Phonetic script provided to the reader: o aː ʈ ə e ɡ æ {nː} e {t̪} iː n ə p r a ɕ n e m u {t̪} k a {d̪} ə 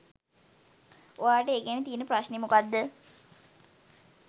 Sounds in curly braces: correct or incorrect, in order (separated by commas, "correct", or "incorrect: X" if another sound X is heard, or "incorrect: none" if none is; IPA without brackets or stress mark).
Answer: incorrect: n, correct, incorrect: none, incorrect: d̪ː